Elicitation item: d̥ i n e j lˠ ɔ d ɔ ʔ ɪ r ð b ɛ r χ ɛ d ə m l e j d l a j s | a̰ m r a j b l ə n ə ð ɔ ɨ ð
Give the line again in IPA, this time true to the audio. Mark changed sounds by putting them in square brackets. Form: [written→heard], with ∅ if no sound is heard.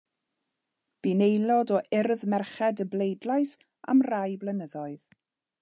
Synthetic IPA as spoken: [d̥→b̥] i n e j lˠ ɔ d ɔ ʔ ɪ r ð [b→m] ɛ r χ ɛ d ə [m→b] l e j d l a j s | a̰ m r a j b l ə n ə ð ɔ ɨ ð